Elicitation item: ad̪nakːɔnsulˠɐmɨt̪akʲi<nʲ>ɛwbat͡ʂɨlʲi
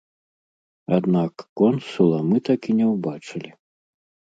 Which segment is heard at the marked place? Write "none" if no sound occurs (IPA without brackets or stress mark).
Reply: nʲ